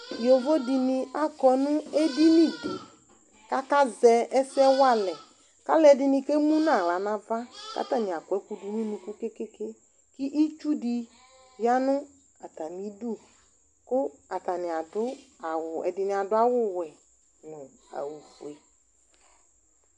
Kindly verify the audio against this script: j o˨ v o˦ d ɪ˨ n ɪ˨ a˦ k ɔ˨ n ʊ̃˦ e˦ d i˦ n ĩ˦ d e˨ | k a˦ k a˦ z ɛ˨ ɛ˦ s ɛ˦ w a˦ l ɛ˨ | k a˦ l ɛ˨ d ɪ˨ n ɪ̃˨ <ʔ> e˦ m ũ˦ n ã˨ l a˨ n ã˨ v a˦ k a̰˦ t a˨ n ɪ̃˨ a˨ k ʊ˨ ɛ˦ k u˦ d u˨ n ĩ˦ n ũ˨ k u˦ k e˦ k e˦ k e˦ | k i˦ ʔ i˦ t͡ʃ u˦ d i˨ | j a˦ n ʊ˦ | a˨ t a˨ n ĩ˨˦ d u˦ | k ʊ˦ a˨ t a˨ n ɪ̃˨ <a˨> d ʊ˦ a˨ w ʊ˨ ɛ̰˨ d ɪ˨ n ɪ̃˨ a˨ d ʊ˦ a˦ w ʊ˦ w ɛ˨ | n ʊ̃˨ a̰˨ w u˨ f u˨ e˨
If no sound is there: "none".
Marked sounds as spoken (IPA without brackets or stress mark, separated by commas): k, a˨